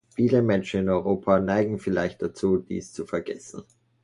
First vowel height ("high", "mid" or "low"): high